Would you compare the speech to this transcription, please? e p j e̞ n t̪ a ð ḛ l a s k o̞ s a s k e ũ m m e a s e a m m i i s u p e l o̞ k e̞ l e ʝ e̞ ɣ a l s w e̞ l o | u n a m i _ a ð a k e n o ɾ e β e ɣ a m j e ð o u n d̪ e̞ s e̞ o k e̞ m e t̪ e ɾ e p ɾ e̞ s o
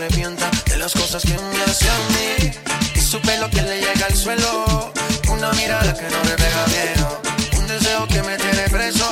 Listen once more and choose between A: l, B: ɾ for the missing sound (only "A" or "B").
B